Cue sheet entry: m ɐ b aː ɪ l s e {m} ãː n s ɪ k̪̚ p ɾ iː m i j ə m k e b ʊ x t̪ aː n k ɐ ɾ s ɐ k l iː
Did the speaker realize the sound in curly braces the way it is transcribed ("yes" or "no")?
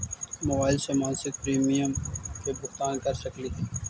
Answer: yes